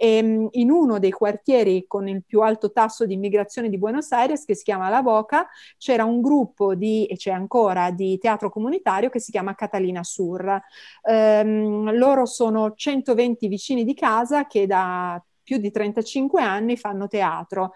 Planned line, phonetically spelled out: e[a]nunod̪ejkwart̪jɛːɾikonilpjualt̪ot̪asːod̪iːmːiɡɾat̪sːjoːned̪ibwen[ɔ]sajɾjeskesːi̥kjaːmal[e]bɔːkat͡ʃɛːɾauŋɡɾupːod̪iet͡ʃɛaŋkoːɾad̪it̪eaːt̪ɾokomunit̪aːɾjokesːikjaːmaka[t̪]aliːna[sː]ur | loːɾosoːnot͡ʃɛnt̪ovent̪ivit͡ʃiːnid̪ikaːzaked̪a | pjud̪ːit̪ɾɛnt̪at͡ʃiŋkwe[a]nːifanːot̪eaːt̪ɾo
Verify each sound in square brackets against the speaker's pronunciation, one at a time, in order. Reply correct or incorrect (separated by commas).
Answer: incorrect, incorrect, incorrect, correct, incorrect, correct